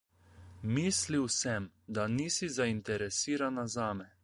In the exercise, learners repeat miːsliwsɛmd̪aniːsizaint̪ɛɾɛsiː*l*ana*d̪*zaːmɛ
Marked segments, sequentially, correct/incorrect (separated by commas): incorrect, incorrect